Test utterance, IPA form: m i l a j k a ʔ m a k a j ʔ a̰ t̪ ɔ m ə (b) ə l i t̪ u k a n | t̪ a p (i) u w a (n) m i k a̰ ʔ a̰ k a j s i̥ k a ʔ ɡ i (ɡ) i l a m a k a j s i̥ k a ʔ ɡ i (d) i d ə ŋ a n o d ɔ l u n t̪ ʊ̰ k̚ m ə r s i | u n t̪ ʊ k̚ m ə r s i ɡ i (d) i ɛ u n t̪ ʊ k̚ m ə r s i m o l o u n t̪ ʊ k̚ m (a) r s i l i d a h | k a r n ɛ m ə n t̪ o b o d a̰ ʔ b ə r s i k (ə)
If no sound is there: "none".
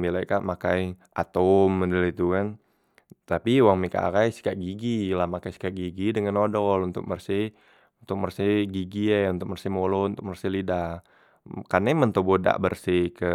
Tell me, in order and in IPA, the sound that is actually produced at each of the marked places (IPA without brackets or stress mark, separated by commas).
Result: d, i, ŋ, ɡ, ɡ, ɡ, ə, ə